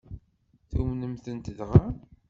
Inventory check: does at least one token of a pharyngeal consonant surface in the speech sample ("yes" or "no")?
no